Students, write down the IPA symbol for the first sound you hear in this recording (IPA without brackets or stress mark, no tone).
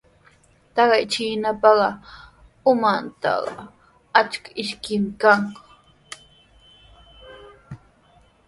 t̪